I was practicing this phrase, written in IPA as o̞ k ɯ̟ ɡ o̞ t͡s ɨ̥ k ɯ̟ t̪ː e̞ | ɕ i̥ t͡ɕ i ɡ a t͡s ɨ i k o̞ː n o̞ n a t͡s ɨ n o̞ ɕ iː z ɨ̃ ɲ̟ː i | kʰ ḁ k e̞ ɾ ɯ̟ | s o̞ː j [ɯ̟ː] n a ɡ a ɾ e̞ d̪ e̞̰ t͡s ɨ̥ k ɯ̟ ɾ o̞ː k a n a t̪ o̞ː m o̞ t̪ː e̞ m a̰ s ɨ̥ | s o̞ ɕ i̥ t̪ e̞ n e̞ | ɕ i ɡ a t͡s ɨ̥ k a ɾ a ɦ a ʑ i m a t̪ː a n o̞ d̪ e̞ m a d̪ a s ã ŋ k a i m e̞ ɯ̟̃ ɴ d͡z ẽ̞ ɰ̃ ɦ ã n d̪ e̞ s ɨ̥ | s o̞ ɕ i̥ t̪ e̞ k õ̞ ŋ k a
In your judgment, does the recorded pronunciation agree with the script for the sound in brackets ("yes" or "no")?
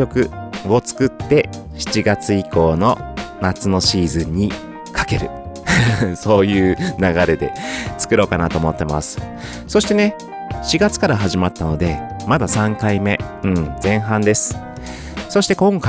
yes